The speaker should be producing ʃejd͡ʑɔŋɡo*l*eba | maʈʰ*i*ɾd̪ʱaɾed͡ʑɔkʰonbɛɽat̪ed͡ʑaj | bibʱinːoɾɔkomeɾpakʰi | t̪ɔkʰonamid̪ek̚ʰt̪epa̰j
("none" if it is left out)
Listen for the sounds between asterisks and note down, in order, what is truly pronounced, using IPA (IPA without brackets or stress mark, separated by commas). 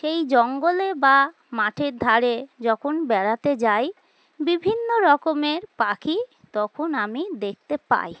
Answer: l, e